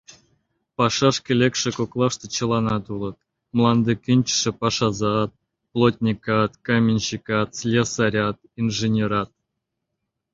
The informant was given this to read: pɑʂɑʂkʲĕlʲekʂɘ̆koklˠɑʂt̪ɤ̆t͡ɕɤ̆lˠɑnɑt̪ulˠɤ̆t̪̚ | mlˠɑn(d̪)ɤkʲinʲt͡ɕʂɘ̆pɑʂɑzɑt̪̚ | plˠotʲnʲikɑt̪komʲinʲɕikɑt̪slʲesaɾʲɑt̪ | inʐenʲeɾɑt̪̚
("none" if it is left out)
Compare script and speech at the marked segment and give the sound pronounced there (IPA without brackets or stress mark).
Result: d̪